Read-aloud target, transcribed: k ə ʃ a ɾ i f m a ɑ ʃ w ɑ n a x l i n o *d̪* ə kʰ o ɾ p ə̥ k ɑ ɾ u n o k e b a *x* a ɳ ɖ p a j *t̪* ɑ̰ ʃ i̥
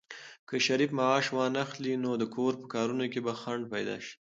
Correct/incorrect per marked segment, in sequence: correct, correct, incorrect

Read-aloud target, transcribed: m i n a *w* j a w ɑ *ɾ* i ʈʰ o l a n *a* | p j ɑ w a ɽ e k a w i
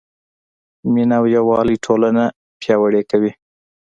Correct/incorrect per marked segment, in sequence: correct, incorrect, correct

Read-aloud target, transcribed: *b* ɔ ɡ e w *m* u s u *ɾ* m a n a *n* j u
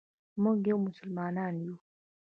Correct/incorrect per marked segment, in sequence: incorrect, correct, incorrect, correct

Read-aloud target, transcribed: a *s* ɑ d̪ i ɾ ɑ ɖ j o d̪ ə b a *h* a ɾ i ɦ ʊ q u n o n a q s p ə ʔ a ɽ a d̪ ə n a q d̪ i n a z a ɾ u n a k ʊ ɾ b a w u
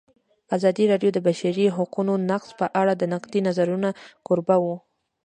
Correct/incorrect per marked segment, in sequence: incorrect, incorrect

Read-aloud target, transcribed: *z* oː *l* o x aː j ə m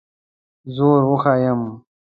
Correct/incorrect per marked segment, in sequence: correct, incorrect

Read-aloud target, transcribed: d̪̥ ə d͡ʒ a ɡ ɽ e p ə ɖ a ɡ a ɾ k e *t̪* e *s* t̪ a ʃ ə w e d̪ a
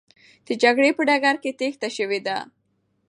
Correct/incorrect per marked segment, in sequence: correct, incorrect

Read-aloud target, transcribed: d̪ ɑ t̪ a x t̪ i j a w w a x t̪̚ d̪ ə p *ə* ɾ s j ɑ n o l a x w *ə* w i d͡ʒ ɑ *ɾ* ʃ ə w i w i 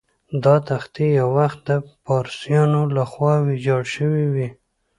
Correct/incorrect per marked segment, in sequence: incorrect, incorrect, incorrect

